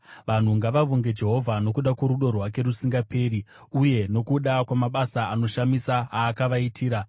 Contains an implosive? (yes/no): yes